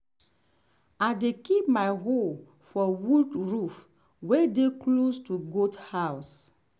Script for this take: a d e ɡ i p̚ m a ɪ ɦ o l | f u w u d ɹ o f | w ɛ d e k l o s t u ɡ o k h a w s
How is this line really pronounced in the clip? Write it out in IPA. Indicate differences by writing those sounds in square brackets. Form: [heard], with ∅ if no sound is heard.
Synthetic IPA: a d e [k] i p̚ m a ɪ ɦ o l | f [ɔ] w u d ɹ [u] f | w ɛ d e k l o s t u ɡ o [t] h a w s